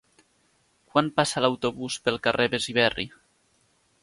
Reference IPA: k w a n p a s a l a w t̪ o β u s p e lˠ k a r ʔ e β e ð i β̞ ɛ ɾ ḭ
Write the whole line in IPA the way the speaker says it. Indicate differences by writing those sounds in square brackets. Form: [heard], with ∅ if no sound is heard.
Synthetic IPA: k w a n p a s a l a w t̪ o β u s p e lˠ k a r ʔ e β e [z] i β̞ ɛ [r] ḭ